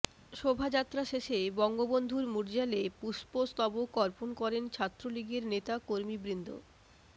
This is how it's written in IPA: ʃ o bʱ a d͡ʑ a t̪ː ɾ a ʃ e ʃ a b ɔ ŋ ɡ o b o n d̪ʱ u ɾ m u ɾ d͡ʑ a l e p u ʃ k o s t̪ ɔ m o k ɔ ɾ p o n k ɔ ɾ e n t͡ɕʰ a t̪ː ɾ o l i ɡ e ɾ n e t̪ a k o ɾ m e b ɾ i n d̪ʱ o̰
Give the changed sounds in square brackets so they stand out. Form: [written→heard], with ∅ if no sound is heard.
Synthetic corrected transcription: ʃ o bʱ a d͡ʑ a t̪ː ɾ a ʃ e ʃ [a→e] b ɔ ŋ ɡ o b o n d̪ʱ u ɾ m u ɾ d͡ʑ a l e p u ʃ [k→p] o s t̪ ɔ [m→b] o k ɔ ɾ p o n k ɔ ɾ e n t͡ɕʰ a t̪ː ɾ o l i ɡ e ɾ n e t̪ a k o ɾ m [e→i] b ɾ i n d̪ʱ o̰